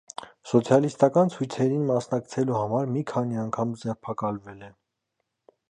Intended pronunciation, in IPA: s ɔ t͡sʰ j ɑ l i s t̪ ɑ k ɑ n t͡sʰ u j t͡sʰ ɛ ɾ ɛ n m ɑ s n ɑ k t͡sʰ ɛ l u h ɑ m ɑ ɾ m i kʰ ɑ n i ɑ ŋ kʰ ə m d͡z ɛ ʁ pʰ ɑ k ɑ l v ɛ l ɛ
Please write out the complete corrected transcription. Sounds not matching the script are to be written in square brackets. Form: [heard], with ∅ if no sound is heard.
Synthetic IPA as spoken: s ɔ t͡sʰ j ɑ l i s t̪ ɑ k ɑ n t͡sʰ u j t͡sʰ ɛ ɾ [i] n m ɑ s n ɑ k t͡sʰ ɛ l u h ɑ m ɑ ɾ m i kʰ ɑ n i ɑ ŋ kʰ [ɑ] m d͡z ɛ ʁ pʰ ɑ k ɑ l v ɛ l ɛ